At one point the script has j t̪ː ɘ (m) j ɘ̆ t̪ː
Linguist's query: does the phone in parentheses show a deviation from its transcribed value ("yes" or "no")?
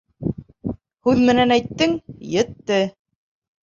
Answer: yes